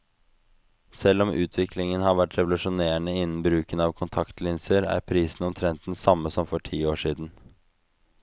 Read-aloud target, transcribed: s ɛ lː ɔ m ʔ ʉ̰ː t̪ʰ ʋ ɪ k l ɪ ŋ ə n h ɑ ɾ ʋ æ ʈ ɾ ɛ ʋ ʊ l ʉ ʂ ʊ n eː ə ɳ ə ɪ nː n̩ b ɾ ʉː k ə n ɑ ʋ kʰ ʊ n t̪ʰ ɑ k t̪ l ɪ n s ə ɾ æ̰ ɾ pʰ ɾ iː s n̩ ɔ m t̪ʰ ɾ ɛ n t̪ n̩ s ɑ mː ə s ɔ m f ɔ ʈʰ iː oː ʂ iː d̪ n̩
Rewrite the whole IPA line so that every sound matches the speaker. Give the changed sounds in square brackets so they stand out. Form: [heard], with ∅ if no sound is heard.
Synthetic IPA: s ɛ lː ɔ m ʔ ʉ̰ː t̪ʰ ʋ ɪ k l ɪ ŋ ə n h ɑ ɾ ʋ æ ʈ ɾ ɛ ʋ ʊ l ʉ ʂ ʊ n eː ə ɳ ə ɪ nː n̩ b ɾ ʉː k ə n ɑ ʋ kʰ ʊ n t̪ʰ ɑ k t̪ l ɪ n s ə ɾ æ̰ ɾ pʰ ɾ iː s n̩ ɔ m t̪ʰ ɾ ɛ n t̪ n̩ s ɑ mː ə s ɔ m f ɔ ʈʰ iː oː ʂ iː d̪ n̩